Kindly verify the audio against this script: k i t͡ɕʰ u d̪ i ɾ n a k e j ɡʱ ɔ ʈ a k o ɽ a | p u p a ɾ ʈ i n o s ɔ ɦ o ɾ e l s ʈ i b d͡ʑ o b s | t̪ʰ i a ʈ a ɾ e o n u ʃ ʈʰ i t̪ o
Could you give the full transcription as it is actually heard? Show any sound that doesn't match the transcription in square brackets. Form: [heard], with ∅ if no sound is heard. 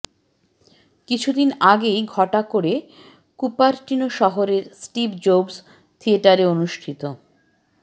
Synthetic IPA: k i t͡ɕʰ u d̪ i [∅] n a [ɡ] e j ɡʱ ɔ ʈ a k o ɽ [e] | [k] u p a ɾ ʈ i n o [ʃ] ɔ ɦ o ɾ e [ɾ] s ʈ i b d͡ʑ o b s | t̪ʰ i [e] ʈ a ɾ e o n u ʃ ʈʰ i t̪ o